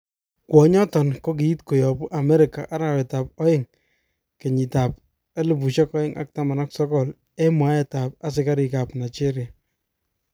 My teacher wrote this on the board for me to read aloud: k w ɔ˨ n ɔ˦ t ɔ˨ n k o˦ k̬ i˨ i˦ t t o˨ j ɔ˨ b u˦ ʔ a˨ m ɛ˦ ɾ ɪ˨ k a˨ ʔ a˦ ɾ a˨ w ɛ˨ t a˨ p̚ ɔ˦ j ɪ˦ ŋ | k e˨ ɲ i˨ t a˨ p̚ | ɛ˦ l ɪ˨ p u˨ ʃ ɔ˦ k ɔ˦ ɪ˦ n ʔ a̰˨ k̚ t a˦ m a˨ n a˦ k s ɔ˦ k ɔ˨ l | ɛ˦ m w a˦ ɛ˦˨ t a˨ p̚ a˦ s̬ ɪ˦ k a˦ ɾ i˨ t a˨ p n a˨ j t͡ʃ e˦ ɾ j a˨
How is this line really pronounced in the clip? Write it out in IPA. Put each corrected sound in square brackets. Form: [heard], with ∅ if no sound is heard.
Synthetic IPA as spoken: k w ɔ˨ [ɲ] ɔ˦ t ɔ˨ n k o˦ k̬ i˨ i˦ t [k] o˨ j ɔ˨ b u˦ ʔ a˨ m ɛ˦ ɾ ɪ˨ k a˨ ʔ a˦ ɾ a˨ w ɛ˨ t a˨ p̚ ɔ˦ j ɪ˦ ŋ | k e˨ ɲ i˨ t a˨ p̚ | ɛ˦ l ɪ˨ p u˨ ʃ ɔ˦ k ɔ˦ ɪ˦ [ŋ] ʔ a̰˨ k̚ t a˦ m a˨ n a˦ k s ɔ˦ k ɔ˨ l | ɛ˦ m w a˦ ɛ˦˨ t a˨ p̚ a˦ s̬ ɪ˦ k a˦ ɾ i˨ [k] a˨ p n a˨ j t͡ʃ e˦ ɾ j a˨

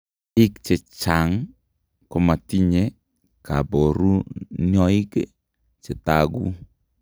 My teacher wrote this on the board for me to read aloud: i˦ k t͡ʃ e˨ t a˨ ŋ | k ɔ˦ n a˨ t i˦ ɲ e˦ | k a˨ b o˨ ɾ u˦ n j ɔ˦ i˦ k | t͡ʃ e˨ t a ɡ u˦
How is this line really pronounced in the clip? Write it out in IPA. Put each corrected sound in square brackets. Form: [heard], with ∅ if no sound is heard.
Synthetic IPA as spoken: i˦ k t͡ʃ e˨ [t͡ʃ] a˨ ŋ | k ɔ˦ [m] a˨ t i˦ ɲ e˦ | k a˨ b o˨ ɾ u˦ n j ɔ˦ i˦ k | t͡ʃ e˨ t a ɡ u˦

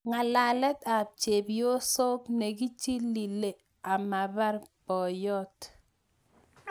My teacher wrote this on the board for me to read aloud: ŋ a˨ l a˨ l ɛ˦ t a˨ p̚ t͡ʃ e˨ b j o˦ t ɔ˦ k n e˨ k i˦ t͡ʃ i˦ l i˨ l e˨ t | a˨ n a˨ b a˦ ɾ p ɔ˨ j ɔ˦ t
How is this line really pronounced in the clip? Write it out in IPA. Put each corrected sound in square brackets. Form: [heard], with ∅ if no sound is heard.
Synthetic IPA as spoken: ŋ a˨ l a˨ l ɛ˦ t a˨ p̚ t͡ʃ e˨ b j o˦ [s] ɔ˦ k n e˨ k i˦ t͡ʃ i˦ l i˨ l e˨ [∅] | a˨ [m] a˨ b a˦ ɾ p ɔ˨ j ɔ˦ t

